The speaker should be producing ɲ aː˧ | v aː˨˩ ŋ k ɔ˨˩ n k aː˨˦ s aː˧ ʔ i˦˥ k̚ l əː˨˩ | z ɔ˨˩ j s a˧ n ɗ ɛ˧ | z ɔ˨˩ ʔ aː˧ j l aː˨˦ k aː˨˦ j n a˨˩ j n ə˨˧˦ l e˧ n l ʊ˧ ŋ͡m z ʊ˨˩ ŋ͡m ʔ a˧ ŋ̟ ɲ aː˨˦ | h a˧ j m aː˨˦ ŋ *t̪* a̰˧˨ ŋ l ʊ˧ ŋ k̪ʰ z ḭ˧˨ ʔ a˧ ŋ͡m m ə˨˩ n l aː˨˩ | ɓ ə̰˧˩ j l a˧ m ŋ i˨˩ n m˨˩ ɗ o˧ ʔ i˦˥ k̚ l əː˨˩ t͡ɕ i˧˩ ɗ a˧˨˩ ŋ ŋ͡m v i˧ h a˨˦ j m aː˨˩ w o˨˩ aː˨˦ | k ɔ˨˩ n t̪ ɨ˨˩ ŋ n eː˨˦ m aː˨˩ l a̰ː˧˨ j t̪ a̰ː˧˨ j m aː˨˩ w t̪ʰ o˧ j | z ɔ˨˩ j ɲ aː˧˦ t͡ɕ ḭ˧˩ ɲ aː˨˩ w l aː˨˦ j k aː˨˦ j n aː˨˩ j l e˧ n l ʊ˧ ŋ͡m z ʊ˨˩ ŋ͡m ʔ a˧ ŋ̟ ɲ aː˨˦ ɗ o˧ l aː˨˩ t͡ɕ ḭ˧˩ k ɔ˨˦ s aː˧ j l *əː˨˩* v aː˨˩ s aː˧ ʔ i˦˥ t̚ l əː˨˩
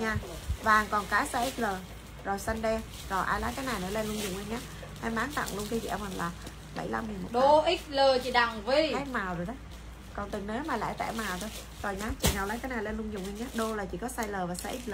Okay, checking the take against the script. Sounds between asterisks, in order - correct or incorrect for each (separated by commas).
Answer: correct, correct